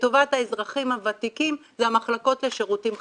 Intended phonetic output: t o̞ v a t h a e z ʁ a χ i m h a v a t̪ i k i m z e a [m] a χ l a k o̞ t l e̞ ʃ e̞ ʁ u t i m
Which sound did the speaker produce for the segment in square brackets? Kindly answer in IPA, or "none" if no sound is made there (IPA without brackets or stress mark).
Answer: m